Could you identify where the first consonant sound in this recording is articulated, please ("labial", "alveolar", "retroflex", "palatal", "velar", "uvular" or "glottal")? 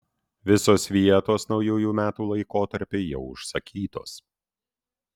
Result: labial